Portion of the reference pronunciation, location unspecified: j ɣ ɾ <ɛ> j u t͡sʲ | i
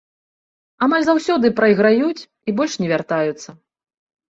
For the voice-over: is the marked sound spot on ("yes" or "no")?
no